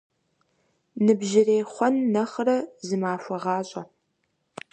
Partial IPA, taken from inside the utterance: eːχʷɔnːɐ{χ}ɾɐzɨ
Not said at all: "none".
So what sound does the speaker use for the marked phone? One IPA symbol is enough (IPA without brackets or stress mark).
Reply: χ